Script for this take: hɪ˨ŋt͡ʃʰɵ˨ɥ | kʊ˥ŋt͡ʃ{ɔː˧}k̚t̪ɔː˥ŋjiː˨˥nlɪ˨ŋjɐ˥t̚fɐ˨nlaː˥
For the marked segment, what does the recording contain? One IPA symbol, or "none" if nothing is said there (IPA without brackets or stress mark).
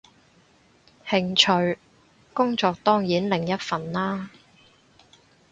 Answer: ɔː˧